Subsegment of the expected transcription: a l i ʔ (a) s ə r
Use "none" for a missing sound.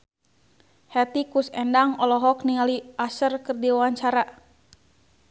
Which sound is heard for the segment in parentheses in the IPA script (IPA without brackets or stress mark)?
a